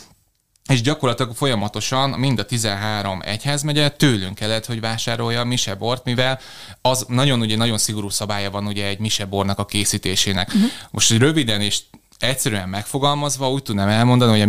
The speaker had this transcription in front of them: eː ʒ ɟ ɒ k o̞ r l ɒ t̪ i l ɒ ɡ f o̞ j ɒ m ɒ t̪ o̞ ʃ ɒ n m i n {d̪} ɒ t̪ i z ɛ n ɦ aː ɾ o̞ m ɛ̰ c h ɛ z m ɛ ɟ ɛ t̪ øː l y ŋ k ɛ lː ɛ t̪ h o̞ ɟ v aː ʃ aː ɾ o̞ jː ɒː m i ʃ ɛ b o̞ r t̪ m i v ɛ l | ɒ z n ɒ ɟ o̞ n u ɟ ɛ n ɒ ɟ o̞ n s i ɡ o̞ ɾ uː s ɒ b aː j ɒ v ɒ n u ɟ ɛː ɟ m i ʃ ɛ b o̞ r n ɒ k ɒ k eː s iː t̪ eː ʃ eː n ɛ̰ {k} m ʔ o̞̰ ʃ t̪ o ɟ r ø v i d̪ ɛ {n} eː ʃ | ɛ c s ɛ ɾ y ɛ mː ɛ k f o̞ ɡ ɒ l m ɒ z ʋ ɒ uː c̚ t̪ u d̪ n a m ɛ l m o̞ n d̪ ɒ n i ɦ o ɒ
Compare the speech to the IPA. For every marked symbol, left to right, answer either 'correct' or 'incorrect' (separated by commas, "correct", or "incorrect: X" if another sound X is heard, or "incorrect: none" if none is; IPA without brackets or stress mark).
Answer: correct, correct, correct